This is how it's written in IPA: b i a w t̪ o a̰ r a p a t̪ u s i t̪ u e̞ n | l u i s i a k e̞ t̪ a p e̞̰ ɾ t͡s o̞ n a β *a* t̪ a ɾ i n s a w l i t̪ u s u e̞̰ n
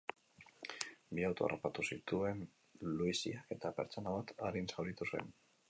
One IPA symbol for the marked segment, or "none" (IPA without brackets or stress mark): a